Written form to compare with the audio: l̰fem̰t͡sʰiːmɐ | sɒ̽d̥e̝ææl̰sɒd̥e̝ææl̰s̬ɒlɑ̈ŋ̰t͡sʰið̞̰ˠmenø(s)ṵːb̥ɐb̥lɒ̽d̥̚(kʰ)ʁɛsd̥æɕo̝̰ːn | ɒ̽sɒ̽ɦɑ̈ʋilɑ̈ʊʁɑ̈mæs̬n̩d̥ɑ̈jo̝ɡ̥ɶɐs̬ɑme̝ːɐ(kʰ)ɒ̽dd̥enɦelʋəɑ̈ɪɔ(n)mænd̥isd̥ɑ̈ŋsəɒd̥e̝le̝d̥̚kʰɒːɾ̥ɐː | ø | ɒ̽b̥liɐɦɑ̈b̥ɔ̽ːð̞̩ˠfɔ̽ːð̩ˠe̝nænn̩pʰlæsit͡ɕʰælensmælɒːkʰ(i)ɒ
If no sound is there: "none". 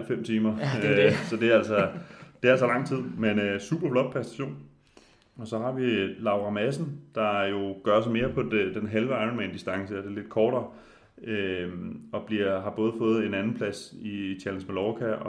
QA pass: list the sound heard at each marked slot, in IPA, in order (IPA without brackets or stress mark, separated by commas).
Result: s, pʰ, pʰ, n, æ